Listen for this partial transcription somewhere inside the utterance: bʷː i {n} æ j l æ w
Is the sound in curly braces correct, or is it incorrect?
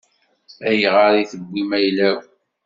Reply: incorrect